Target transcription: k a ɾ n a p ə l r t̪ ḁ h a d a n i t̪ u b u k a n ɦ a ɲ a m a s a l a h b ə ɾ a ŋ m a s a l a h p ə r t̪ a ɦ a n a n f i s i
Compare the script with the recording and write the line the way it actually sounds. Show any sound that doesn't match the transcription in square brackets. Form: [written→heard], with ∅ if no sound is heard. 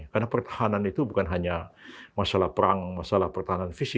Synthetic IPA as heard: k a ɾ n a p ə [l→∅] r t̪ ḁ h a [d→n] a n i t̪ u b u k a n ɦ a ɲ a m a s a l a h [b→p] ə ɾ a ŋ m a s a l a h p ə r t̪ a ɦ a n a n f i s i